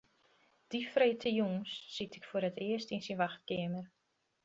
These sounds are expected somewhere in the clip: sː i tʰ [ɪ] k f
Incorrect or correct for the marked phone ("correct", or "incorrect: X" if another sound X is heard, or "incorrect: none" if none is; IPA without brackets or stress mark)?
correct